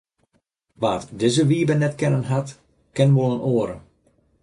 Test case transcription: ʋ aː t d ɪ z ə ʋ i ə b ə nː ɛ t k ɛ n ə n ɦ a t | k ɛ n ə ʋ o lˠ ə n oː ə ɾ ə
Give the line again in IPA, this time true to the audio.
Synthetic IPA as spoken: ʋ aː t d ɪ z ə ʋ i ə b ə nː ɛ t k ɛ n ə n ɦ a t | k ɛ n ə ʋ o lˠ ə n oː ə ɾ ə